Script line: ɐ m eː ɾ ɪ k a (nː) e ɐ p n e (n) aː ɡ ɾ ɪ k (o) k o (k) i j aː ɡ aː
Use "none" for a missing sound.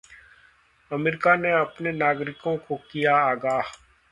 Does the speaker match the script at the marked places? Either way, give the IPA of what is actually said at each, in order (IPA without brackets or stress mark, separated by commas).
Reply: n, n, õ, k